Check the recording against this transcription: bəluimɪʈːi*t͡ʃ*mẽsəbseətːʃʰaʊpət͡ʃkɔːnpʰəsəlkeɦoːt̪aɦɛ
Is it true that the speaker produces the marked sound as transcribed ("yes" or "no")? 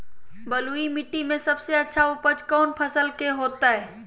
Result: no